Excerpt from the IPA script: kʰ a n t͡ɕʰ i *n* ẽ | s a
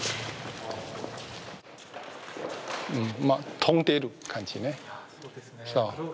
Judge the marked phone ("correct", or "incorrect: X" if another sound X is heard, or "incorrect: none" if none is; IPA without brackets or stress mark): correct